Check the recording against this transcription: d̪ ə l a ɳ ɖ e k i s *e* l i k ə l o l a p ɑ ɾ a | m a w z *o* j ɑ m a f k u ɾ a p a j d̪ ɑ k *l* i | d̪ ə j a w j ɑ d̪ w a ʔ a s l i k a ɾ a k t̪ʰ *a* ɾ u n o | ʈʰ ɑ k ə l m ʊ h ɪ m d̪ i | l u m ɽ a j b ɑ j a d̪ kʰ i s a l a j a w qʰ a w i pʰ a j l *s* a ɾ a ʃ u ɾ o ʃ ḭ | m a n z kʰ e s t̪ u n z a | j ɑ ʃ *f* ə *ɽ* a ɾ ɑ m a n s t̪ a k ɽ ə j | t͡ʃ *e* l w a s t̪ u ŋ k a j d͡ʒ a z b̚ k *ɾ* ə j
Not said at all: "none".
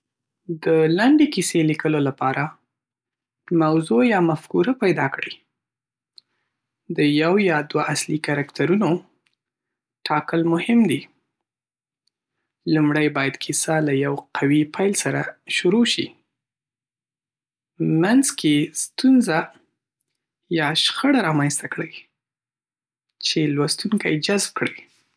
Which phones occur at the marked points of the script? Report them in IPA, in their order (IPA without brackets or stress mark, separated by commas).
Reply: e, o, ɽ, a, s, x, ɽ, e, ɽ